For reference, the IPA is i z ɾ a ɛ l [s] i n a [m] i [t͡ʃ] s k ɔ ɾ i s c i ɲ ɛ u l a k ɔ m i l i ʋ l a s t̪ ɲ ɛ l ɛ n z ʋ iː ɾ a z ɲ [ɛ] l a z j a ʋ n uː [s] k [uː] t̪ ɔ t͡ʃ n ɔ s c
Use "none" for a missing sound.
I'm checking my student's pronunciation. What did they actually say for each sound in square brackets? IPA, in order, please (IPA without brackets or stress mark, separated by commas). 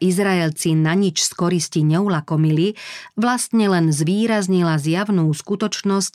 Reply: t͡s, ɲ, t͡ʃ, i, s, u